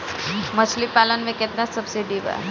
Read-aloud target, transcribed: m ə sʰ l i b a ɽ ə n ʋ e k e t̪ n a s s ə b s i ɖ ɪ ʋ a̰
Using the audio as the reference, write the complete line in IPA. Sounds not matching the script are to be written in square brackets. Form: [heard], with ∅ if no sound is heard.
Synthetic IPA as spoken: m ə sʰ l i [p] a [l] ə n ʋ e k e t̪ n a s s ə b s i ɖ [i] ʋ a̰